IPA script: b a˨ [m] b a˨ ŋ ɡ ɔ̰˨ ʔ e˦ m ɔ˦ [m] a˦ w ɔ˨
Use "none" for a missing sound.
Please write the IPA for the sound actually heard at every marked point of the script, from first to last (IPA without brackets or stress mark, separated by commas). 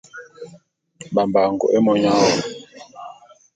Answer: m, ɲ